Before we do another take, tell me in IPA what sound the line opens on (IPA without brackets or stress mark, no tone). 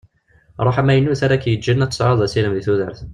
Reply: ɾˤ